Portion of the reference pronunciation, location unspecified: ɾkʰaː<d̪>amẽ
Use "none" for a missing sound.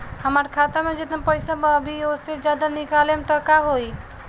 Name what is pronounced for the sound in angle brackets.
t̪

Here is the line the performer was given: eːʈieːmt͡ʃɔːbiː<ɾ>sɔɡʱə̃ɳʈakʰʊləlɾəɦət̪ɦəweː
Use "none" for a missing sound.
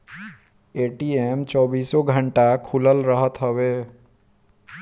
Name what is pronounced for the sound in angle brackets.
none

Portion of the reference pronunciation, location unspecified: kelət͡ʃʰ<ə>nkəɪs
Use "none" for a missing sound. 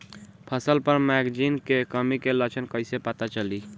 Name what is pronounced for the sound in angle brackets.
ə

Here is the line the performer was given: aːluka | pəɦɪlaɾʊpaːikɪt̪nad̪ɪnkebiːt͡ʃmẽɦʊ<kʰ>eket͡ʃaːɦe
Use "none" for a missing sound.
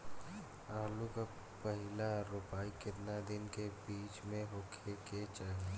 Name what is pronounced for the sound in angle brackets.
kʰ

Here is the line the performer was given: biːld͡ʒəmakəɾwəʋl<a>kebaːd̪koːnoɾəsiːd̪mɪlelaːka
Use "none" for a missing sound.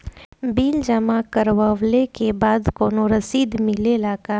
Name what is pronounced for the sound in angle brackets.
e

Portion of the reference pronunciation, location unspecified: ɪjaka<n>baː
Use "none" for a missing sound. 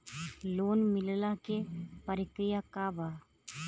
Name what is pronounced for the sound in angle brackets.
none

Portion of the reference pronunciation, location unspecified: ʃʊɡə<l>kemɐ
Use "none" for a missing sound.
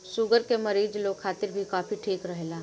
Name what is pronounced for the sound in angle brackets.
ɾ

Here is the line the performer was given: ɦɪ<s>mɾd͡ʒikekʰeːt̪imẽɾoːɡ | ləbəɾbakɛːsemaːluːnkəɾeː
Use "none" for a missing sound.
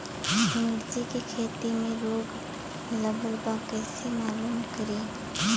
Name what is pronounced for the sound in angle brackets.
none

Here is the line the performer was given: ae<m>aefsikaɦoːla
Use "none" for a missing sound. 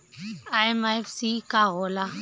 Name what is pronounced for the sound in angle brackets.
m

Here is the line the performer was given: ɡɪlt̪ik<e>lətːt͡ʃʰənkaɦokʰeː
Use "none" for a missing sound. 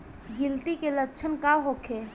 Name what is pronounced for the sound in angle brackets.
e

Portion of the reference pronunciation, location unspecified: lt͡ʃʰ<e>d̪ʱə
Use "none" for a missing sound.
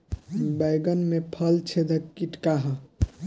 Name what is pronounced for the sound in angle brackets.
e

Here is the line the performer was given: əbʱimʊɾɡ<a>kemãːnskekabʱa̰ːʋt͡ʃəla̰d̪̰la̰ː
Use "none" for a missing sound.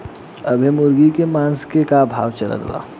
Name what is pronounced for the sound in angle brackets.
i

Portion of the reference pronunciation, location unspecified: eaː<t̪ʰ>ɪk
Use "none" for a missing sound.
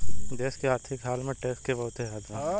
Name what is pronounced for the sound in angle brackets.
t̪ʰ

